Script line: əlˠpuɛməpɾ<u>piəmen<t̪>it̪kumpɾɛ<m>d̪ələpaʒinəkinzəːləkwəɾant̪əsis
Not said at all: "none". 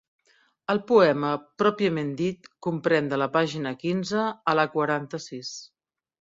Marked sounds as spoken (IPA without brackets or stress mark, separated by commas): ɔ, d̪, n